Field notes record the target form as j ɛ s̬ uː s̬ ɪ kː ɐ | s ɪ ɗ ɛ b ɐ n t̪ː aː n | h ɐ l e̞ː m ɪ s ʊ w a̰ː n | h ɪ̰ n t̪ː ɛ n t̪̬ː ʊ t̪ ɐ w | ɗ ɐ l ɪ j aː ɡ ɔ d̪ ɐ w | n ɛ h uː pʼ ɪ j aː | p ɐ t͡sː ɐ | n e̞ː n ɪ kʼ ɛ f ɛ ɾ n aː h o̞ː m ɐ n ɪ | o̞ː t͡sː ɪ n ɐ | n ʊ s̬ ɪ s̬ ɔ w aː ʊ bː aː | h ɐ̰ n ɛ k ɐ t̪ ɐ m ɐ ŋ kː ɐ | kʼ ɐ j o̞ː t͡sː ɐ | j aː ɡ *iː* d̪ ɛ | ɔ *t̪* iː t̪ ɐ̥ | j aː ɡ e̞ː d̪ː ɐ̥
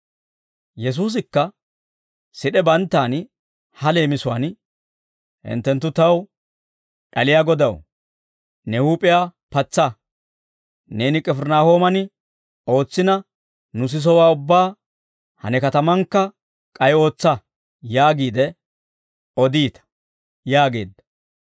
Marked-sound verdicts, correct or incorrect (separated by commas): correct, incorrect